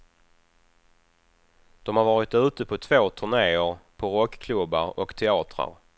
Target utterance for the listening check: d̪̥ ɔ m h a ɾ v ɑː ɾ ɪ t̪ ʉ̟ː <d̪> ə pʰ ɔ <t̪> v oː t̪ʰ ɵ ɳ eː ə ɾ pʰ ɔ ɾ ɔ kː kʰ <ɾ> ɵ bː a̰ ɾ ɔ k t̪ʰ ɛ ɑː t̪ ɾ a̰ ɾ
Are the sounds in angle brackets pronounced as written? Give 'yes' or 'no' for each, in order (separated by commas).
no, no, no